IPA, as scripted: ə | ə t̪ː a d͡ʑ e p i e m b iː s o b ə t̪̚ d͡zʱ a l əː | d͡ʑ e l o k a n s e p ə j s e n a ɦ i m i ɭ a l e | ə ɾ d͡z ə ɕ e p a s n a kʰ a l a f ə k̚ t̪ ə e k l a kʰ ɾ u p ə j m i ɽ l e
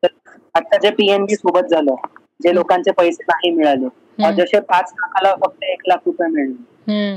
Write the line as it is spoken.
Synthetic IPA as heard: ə | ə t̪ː a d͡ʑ e p i e m b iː s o b ə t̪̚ d͡zʱ a l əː | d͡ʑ e l o k a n t͡s e p ə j s e n a ɦ i m i ɭ a l e | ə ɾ d͡z ə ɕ e p a t͡s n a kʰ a l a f ə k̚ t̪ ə e k l a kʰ ɾ u p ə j m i ɭ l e